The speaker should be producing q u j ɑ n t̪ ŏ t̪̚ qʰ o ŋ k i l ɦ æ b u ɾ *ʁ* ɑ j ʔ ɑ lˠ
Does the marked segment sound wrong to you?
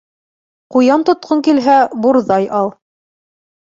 yes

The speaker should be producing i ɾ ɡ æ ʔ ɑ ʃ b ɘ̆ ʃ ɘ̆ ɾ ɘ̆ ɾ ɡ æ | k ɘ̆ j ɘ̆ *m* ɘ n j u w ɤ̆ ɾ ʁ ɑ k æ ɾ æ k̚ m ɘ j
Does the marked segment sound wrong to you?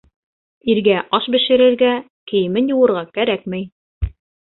no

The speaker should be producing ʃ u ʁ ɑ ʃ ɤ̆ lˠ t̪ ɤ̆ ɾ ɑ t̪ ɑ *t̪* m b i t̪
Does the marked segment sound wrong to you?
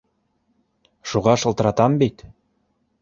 yes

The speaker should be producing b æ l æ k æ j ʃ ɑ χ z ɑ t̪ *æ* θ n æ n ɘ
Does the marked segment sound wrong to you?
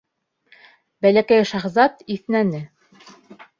yes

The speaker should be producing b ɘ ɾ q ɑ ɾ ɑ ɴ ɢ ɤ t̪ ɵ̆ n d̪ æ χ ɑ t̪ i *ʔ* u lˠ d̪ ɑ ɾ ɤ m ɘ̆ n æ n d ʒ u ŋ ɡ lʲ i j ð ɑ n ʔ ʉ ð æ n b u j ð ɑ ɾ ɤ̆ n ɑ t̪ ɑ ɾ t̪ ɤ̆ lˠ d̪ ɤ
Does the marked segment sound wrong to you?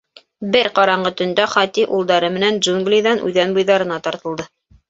no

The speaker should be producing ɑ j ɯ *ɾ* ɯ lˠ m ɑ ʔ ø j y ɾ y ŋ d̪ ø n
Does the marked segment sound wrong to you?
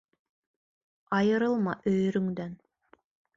no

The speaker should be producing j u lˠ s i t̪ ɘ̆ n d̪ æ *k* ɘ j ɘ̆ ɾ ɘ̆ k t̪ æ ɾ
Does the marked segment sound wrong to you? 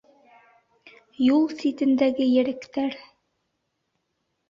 yes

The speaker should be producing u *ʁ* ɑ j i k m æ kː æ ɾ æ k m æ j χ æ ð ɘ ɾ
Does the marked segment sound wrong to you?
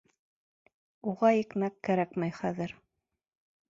no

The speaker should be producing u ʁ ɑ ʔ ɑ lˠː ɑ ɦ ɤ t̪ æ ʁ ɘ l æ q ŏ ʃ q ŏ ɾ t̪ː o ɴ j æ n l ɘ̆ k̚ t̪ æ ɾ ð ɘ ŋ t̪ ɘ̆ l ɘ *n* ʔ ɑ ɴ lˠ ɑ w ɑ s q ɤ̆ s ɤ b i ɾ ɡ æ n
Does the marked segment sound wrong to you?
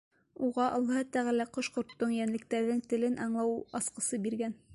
no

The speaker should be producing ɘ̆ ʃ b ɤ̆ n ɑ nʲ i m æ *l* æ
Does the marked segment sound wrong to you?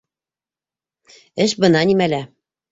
no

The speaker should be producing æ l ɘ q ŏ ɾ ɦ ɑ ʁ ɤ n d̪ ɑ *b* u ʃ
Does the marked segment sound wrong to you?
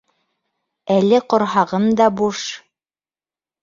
no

